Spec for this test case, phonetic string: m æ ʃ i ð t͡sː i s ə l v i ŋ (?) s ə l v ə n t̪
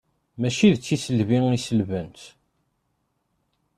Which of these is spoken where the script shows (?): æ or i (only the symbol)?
i